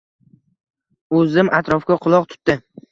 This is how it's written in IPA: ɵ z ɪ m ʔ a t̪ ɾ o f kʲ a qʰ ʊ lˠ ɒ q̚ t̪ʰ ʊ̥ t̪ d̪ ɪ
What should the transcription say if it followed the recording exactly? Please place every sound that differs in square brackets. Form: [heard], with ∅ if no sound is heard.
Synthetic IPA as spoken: ɵ z ɪ m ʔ a t̪ ɾ [ɒ] f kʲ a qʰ ʊ lˠ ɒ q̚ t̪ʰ ʊ̥ t̪ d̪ ɪ